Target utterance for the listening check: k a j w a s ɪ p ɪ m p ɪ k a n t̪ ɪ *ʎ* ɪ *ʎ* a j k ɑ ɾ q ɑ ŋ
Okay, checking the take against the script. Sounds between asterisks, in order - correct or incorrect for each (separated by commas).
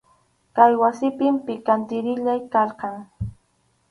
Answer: incorrect, correct